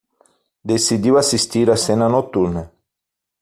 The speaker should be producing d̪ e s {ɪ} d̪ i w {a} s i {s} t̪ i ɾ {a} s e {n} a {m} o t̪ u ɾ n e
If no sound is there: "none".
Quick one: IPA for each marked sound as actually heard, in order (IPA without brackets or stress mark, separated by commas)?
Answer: i, a, s, a, n, n